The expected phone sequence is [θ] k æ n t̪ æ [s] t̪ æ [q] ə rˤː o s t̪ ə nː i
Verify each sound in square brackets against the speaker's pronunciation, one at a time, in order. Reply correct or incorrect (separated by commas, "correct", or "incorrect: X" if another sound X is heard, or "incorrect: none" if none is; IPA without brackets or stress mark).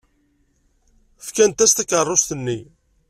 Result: incorrect: f, correct, incorrect: k